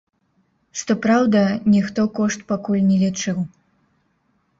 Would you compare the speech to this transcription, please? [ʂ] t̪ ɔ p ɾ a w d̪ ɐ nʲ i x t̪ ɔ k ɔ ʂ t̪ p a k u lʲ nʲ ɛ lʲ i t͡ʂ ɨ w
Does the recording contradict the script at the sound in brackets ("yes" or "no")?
no